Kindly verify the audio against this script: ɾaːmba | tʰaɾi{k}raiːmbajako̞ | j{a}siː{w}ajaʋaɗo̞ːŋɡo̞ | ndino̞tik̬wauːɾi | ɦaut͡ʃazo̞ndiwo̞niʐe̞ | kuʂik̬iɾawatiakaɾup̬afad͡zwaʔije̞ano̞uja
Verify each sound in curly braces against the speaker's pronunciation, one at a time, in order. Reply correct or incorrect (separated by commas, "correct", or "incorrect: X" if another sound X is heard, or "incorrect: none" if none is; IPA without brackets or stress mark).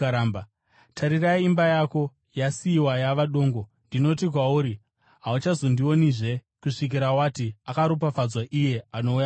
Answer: incorrect: none, correct, correct